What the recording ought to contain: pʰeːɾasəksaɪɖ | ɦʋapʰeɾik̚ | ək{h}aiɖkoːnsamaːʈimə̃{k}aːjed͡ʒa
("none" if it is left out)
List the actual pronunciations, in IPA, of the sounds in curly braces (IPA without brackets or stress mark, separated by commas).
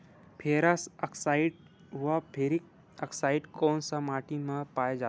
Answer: s, p